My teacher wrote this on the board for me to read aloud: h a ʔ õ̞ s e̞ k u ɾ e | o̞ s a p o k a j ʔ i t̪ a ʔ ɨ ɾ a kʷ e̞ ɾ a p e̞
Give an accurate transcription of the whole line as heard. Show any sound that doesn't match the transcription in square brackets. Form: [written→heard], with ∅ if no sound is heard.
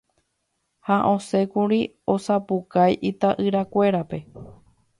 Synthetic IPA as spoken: h a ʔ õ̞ s e̞ k u ɾ [e→i] | o̞ s a p [o→u] k a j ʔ i t̪ a ʔ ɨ ɾ a kʷ e̞ ɾ a p e̞